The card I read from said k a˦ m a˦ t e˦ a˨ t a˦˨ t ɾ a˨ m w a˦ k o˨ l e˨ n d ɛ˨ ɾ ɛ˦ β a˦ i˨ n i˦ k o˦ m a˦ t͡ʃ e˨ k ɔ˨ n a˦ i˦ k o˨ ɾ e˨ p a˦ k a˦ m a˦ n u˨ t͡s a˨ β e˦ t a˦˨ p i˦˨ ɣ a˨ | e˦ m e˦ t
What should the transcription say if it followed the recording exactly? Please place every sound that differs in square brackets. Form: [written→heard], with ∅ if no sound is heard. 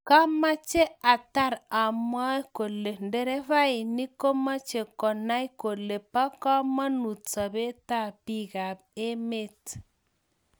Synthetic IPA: k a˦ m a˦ [t→t͡ʃ] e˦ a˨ t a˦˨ [t→∅] ɾ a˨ m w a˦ k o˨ l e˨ n d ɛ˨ ɾ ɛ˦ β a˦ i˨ n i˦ k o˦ m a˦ t͡ʃ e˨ k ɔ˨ n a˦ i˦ k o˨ [ɾ→l] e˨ p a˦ k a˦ m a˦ n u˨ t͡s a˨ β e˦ t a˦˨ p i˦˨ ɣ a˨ | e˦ m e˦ t